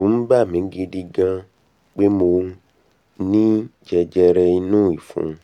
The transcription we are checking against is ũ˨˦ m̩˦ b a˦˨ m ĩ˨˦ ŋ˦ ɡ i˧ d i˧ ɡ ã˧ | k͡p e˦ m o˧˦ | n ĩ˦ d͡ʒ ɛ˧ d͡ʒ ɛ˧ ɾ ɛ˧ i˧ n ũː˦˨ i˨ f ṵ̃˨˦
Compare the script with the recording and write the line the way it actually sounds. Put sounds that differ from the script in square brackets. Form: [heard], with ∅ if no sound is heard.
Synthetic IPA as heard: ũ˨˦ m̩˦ b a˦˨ m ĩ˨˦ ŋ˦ ɡ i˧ d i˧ ɡ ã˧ | k͡p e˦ m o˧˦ | n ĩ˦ d͡ʒ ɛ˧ d͡ʒ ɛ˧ ɾ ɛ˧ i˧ n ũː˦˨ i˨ f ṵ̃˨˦